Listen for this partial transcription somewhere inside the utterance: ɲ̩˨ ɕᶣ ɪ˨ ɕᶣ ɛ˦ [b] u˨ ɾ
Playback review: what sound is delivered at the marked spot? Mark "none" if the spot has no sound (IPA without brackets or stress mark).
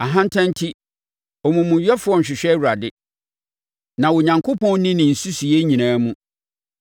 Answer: w